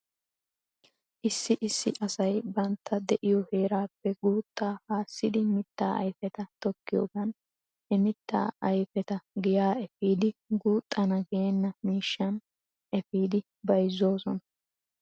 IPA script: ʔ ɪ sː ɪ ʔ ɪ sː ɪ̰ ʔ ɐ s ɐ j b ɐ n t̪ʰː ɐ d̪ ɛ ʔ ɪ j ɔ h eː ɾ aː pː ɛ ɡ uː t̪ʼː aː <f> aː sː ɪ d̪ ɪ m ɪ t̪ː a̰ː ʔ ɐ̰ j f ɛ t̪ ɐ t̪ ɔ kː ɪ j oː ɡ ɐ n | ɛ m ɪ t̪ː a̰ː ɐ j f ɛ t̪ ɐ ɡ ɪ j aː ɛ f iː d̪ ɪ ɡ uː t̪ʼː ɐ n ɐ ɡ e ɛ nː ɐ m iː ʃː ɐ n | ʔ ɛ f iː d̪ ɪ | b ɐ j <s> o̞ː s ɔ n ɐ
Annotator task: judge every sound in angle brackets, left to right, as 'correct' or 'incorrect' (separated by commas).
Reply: incorrect, incorrect